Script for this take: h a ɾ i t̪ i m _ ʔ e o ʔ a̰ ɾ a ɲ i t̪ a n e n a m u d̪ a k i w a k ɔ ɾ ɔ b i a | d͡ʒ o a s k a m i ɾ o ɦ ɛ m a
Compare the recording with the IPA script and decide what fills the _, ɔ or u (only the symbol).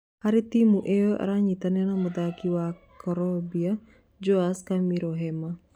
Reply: u